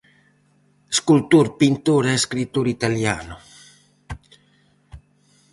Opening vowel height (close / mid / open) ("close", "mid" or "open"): close